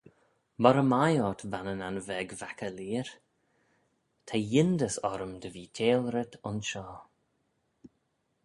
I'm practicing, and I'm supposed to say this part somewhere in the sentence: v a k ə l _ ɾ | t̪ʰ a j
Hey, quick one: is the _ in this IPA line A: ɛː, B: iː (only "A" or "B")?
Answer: B